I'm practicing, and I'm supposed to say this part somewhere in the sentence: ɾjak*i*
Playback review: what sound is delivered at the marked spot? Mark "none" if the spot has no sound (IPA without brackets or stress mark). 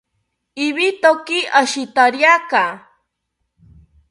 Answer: a